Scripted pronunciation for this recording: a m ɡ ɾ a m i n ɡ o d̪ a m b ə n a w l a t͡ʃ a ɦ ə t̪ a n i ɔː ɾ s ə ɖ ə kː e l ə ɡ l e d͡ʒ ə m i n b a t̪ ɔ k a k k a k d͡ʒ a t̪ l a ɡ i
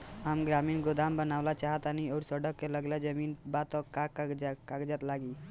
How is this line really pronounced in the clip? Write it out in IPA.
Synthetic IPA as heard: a m ɡ ɾ a m i n ɡ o d̪ a m b ə n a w l a t͡ʃ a ɦ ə t̪ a n i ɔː ɾ s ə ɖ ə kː e l ə ɡ l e d͡ʒ ə m i n b a t̪ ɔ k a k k a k d͡ʒ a t̪ l a ɡ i